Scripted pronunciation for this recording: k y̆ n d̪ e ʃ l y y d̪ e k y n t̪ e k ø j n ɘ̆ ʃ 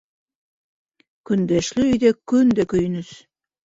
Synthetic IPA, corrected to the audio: k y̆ n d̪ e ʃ l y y d̪ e k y n d̪ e k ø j n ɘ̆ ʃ